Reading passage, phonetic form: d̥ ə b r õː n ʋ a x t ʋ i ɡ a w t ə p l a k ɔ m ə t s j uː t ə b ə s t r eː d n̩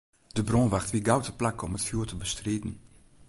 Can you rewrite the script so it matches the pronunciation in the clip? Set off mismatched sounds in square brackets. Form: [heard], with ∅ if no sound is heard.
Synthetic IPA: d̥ ə b r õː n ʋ a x t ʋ i ɡ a w t ə p l a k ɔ m ə t [f] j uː t ə b ə s t r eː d n̩